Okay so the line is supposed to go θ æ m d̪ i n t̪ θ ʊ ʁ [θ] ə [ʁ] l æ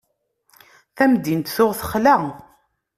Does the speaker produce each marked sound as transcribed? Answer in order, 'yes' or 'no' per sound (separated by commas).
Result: yes, no